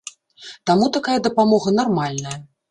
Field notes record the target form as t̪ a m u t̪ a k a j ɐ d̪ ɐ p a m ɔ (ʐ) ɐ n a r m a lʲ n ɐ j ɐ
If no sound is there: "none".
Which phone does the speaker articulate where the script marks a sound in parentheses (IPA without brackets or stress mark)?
ɣ